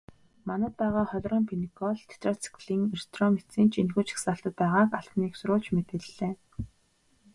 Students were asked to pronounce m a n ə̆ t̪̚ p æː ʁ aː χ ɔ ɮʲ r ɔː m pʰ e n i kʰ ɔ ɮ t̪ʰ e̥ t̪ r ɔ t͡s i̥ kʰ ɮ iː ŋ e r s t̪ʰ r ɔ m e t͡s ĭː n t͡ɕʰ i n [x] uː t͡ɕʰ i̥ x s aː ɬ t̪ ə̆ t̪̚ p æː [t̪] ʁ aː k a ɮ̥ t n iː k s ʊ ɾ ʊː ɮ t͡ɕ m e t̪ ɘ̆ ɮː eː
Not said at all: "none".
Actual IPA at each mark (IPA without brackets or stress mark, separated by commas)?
x, none